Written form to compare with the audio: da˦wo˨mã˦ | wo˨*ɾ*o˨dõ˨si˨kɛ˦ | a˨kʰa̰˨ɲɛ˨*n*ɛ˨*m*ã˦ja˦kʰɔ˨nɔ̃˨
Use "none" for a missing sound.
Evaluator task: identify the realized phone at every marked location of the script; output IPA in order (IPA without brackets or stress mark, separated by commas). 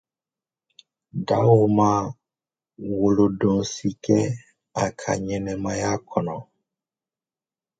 l, n, m